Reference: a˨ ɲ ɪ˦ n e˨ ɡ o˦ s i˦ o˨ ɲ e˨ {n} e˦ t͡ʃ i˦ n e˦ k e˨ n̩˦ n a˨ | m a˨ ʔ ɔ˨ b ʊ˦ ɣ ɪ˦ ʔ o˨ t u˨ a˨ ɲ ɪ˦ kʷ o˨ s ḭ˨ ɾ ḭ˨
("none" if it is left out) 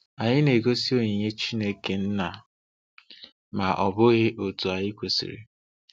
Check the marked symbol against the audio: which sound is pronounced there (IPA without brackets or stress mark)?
ɲ